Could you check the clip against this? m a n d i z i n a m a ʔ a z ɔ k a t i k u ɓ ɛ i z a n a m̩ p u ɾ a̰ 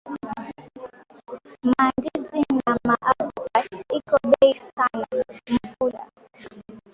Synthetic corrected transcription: m a n d i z i n a m a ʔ a v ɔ k a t i k ɔ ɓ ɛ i s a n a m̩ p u l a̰